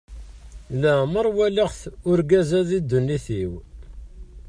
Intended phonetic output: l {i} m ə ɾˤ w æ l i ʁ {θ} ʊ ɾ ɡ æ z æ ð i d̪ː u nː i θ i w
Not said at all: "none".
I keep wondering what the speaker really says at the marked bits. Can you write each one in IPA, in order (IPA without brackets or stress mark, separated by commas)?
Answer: æ, θ